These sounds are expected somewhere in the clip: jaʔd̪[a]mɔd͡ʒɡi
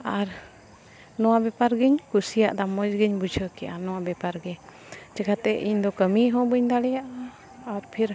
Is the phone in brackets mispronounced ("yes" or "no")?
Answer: no